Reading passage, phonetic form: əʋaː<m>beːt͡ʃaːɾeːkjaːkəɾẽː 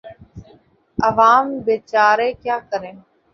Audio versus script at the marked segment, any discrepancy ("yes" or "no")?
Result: no